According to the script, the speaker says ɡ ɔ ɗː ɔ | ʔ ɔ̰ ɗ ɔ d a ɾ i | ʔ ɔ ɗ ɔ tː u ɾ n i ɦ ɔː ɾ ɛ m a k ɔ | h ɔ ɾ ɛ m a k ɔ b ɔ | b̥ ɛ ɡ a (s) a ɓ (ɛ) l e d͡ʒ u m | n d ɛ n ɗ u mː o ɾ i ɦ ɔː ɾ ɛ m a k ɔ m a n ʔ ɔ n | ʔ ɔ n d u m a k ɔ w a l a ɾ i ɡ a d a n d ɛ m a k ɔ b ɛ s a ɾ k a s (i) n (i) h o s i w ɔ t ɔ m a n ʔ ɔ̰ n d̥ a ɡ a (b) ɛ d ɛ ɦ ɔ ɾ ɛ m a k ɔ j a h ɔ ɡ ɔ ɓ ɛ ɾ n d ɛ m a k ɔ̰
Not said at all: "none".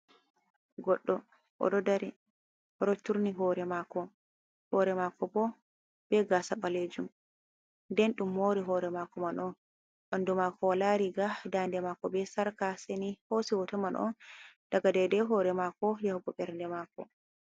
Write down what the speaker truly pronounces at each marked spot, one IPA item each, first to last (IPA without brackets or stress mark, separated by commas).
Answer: s, a, e, i, d